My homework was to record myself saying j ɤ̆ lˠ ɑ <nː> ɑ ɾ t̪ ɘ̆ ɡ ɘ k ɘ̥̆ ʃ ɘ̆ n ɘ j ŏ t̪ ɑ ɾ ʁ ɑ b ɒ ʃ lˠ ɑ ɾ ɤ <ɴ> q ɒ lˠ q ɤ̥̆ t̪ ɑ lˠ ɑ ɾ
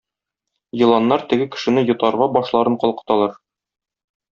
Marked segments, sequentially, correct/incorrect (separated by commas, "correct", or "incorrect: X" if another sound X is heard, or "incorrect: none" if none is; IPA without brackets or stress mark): correct, correct